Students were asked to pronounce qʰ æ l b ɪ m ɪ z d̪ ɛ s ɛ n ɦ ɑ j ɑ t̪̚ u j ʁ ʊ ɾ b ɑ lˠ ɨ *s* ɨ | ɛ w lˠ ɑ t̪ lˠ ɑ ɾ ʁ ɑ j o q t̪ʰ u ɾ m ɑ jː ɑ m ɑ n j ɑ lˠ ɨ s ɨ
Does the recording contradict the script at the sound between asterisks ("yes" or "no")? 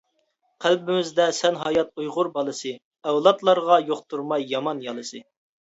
no